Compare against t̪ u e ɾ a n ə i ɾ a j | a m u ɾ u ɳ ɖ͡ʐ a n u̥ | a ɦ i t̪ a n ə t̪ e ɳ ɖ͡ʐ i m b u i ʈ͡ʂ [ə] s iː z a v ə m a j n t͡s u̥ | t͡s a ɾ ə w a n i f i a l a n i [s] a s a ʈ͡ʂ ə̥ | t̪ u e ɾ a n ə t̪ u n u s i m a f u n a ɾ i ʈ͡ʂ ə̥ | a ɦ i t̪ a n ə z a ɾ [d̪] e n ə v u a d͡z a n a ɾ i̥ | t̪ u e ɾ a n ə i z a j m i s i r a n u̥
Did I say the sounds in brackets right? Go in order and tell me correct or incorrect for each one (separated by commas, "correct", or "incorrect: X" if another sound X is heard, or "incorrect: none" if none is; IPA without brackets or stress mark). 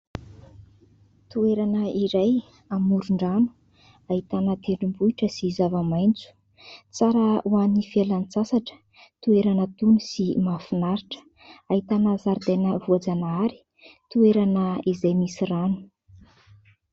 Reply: correct, incorrect: t͡s, correct